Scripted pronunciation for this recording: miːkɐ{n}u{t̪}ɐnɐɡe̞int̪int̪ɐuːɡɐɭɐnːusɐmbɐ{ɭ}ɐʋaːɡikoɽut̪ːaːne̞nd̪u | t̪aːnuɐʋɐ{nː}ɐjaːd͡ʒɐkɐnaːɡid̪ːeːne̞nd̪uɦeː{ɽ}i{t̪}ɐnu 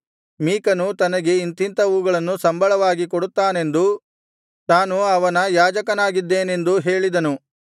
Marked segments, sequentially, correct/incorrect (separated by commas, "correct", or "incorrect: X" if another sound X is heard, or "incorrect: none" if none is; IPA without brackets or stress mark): correct, correct, correct, incorrect: n, incorrect: ɭ, incorrect: d̪